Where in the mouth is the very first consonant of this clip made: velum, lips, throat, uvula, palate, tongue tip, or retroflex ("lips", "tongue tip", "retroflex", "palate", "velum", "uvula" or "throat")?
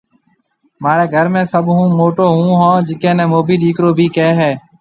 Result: lips